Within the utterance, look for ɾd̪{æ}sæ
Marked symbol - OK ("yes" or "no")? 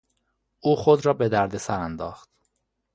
no